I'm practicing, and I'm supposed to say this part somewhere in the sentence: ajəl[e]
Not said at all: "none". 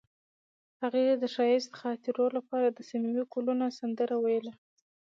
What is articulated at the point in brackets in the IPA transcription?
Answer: a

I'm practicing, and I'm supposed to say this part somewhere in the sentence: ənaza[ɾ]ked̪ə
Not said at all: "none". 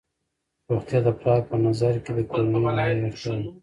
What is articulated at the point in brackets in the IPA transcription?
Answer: ɾ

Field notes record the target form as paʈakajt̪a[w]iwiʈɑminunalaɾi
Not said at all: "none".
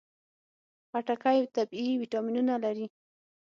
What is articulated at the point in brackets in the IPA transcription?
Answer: b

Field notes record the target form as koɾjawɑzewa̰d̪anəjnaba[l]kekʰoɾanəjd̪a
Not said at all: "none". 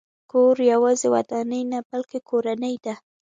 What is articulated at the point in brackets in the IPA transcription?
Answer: l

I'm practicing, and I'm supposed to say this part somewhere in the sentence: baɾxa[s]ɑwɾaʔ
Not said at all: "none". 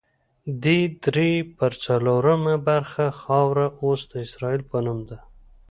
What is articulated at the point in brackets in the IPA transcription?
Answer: x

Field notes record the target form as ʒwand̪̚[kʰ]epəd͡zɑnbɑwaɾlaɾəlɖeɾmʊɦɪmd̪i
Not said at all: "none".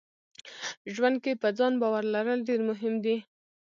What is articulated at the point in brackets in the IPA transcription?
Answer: k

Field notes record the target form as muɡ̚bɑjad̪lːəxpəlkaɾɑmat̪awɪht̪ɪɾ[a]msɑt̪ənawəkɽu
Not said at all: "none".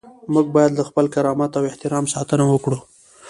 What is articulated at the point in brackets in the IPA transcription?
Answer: ɑ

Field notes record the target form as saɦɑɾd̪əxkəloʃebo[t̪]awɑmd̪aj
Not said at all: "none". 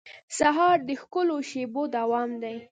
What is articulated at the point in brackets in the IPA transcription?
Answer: d̪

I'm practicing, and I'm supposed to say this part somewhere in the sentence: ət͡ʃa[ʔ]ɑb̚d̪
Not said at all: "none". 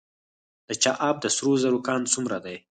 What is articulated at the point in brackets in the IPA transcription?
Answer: ʔ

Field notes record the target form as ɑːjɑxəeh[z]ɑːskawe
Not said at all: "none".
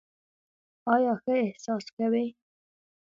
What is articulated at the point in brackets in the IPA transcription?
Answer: s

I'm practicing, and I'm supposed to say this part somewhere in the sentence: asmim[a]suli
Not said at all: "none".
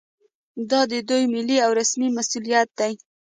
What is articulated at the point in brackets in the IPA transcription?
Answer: a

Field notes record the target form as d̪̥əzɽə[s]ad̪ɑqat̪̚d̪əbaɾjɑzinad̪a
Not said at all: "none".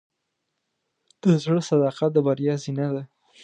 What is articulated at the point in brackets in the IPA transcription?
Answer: s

